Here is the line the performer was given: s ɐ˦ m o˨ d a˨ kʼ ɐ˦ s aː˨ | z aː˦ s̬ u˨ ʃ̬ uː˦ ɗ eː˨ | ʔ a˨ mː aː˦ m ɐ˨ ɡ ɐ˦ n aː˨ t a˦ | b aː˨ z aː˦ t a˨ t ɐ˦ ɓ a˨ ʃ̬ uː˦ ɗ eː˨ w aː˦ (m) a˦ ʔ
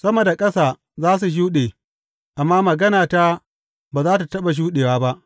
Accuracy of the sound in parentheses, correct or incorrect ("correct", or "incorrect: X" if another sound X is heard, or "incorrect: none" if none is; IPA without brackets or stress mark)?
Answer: incorrect: b